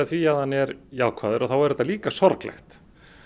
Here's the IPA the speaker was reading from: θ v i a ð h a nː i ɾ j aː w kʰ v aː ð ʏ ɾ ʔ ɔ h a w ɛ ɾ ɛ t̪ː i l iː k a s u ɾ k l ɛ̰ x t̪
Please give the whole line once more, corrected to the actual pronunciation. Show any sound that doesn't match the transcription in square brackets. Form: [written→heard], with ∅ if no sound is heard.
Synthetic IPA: θ v i a ð h a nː [i→ɛ] ɾ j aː w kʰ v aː ð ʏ ɾ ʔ ɔ [h→θ] a w ɛ ɾ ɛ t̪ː [i→a] l iː k a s [u→ɔ] ɾ k l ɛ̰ x t̪